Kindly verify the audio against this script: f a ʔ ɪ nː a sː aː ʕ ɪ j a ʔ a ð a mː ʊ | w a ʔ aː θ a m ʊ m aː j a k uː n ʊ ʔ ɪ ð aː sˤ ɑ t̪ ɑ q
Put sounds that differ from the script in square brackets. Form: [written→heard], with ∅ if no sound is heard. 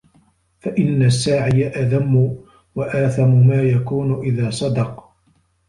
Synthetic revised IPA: f a ʔ ɪ nː a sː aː ʕ ɪ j a ʔ a ð a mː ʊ | w a ʔ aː θ a m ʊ m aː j a k uː n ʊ ʔ ɪ ð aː sˤ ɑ [t̪→d̪] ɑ q

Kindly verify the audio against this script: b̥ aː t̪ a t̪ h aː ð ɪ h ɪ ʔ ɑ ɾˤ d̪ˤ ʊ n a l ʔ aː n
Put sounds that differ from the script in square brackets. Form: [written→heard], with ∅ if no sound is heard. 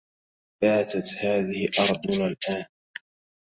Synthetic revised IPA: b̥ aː t̪ a t̪ h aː ð ɪ h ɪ ʔ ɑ ɾˤ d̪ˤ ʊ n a l ʔ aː n

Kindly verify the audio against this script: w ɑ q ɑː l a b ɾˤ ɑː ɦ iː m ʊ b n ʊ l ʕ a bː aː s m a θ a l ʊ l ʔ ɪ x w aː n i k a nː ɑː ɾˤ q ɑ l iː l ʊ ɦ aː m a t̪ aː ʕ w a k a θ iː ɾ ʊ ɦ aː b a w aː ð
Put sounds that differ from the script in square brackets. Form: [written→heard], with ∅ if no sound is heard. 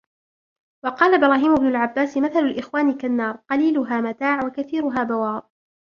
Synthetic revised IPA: w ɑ q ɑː l a b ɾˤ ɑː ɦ iː m ʊ b n ʊ l ʕ a bː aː s m a θ a l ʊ l ʔ ɪ x w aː n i k a nː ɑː ɾˤ q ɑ l iː l ʊ ɦ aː m a t̪ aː ʕ w a k a θ iː ɾ ʊ ɦ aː b a w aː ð

